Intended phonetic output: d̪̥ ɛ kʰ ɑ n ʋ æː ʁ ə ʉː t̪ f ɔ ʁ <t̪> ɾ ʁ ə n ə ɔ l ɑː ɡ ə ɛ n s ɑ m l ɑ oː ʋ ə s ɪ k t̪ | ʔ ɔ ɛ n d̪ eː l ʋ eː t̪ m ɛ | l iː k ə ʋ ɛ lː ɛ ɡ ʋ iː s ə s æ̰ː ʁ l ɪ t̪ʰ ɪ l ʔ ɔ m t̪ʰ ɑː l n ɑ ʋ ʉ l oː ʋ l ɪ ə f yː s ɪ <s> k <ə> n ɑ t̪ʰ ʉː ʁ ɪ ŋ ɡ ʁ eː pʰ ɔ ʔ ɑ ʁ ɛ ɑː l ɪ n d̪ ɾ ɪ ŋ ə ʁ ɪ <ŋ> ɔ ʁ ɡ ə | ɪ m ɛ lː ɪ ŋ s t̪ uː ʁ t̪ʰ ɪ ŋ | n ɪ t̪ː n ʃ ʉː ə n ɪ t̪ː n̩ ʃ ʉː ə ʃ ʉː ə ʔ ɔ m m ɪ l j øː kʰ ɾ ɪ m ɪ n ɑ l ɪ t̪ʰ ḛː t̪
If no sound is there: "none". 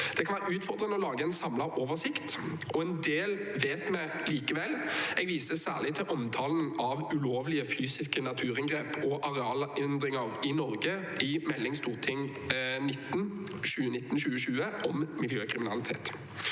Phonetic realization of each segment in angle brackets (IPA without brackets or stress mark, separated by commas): d̪, s, ə, n